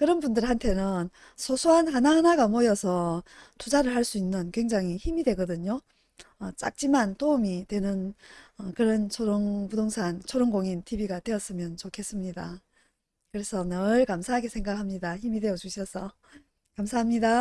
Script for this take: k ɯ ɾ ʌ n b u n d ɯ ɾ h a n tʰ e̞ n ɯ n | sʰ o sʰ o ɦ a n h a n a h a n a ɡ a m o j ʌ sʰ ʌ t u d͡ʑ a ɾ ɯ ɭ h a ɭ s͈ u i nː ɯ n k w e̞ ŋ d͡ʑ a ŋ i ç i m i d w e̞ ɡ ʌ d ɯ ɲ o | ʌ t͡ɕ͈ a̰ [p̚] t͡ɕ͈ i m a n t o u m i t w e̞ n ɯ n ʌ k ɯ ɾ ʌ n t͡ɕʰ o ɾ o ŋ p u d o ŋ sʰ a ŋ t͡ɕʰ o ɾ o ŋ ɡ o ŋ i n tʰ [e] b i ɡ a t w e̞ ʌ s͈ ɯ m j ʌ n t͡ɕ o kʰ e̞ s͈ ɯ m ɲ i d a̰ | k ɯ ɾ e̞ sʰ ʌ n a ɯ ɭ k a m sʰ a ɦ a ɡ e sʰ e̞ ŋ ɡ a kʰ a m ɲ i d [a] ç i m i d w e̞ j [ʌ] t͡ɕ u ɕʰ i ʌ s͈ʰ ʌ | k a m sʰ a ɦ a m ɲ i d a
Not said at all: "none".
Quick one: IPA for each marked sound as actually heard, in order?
k̚, i, a, ʌ

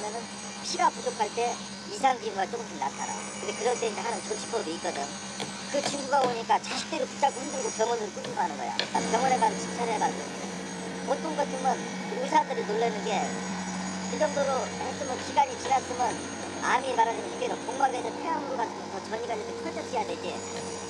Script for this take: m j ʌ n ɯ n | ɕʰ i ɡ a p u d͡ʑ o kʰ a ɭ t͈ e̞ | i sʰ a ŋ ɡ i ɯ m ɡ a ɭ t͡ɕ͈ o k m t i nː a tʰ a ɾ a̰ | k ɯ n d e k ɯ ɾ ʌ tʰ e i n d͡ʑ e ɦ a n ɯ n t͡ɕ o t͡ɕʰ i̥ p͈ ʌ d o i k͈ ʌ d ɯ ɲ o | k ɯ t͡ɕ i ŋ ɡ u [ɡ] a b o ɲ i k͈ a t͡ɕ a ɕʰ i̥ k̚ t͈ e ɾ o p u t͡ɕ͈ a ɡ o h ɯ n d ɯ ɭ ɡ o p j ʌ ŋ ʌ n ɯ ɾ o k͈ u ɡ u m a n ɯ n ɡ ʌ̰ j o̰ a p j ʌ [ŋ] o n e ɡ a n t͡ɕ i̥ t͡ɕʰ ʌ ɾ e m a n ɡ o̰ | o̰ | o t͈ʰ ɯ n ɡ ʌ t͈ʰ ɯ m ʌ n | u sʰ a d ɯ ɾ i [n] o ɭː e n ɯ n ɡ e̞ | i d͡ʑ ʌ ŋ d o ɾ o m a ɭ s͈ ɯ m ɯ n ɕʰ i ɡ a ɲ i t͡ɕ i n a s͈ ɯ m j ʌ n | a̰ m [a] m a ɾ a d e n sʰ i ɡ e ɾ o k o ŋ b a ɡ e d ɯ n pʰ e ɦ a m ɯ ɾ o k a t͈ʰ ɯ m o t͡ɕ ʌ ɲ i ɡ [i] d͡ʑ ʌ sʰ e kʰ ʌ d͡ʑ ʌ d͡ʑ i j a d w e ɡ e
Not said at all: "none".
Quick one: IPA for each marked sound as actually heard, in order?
ɡ, ŋ, n, i, a

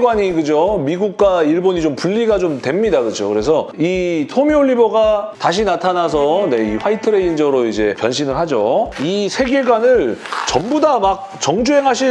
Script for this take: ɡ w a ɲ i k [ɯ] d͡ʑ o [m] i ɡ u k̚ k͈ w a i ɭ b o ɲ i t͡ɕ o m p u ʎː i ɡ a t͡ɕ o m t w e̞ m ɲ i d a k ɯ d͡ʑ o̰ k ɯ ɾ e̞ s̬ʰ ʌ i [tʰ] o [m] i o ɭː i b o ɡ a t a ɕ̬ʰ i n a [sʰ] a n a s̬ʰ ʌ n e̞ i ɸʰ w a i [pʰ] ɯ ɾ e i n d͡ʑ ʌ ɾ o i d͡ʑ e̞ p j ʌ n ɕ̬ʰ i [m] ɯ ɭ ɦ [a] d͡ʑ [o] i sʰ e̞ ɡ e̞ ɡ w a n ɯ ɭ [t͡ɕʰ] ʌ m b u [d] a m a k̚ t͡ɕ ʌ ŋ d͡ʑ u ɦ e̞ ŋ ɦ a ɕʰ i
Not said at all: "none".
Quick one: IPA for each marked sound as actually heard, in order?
ɯ, m, tʰ, m, tʰ, tʰ, n, a, o, t͡ɕ, d

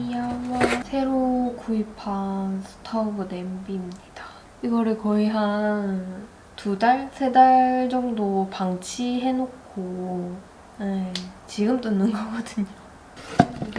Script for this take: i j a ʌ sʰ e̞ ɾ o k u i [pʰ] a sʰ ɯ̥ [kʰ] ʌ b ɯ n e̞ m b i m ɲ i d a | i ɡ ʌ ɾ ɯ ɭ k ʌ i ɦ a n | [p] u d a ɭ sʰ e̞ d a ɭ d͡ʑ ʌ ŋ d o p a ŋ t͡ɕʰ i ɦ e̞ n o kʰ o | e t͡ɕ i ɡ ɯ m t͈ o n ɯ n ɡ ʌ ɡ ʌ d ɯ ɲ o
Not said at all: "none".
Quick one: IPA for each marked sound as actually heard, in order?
pʰ, tʰ, t

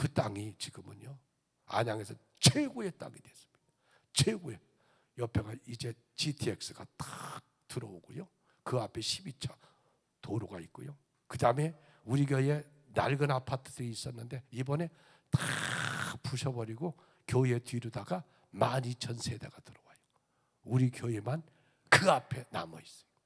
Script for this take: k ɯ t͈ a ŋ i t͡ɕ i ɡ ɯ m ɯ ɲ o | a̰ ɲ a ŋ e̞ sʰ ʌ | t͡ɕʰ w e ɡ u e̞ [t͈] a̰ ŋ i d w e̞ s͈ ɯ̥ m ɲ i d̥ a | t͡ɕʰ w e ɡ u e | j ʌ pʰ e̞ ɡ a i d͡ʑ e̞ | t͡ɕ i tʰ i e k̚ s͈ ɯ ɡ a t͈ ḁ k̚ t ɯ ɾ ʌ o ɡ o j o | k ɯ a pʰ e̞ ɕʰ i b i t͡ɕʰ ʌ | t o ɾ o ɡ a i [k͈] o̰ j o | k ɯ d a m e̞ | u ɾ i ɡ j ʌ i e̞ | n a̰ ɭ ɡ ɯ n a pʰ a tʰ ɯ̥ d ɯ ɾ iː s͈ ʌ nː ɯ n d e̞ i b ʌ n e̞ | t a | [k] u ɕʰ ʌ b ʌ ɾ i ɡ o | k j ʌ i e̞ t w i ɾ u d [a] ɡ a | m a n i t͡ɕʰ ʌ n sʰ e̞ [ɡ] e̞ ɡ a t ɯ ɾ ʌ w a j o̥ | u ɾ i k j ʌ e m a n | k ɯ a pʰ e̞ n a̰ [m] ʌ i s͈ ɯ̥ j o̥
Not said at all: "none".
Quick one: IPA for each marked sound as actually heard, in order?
t͈, k͈, p, a, d, m

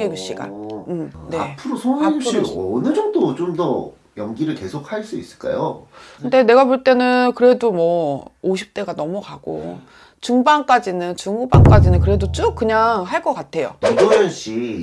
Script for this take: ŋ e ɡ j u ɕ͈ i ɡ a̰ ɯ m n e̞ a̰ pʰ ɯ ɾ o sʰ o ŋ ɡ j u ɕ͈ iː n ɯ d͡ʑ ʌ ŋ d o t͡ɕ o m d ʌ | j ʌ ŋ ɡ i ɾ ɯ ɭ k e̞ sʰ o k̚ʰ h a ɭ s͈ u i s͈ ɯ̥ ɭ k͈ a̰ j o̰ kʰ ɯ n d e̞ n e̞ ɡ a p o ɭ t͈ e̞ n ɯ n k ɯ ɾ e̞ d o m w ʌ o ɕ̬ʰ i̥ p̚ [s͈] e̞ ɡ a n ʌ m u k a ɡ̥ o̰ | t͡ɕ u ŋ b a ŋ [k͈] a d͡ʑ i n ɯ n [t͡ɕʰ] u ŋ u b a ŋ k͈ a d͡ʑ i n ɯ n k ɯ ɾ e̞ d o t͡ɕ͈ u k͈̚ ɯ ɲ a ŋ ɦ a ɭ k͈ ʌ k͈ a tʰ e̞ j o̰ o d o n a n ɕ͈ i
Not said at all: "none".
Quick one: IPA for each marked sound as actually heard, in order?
t͈, k͈, t͡ɕ

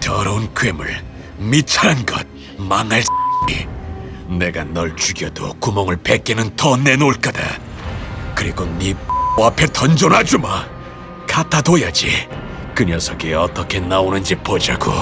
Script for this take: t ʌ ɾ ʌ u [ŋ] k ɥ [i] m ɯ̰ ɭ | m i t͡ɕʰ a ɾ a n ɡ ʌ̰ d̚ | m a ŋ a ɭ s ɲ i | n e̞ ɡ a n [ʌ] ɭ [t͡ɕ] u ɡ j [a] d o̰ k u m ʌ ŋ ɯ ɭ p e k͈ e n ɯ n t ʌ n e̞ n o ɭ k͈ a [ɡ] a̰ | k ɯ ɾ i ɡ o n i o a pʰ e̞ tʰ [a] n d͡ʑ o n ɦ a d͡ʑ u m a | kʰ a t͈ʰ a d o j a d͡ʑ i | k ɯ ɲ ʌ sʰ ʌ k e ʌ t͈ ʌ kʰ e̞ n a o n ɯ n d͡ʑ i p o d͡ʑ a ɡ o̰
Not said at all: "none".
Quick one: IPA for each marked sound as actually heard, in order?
n, e, ʌ, t͡ɕ, ʌ, d, ʌ

